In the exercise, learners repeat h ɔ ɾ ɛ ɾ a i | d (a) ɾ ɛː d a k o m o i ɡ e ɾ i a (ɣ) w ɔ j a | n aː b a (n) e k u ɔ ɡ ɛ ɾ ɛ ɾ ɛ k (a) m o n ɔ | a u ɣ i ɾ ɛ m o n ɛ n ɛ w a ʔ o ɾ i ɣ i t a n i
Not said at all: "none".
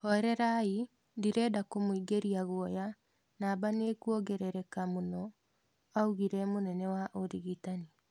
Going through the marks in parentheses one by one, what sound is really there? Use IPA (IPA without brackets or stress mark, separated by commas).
i, ɣ, n, a